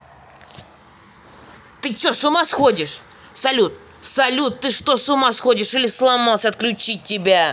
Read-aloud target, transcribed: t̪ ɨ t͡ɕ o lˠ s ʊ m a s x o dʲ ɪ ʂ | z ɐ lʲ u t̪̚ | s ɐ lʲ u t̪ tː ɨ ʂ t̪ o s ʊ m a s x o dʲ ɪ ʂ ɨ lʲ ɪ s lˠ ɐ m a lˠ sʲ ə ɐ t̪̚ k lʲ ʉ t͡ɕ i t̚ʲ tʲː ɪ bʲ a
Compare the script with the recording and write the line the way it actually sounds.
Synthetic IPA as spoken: t̪ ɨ t͡ɕ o s ʊ m a s x o dʲ ɪ ʂ | s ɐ lʲ u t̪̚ | s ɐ lʲ u t̪ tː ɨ ʂ t̪ o s ʊ m a s x o dʲ ɪ ʂ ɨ lʲ ɪ s lˠ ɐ m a lˠ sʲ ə ɐ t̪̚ k lʲ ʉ t͡ɕ i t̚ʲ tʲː ɪ bʲ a